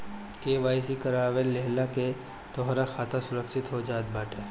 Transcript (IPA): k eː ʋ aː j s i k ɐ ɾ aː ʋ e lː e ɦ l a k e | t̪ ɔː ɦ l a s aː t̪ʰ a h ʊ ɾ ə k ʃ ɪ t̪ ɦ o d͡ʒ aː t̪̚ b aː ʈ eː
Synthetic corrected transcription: k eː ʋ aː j s i k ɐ ɾ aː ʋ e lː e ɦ l a k e | t̪ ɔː ɦ ɾ a x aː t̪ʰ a s ʊ ɾ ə k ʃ ɪ t̪ ɦ o d͡ʒ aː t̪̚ b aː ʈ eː